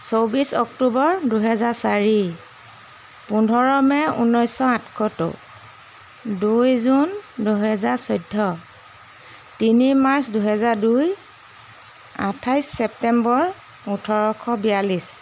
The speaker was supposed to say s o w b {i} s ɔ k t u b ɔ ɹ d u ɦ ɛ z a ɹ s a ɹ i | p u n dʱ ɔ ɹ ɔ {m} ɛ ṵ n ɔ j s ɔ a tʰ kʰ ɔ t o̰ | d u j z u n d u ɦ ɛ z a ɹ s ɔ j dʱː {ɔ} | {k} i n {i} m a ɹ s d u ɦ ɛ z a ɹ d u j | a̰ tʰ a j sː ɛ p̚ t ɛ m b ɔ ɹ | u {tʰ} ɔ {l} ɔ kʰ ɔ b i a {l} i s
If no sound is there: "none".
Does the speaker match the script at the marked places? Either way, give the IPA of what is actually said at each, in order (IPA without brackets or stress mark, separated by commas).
i, m, ɔ, t, i, tʰ, ɹ, l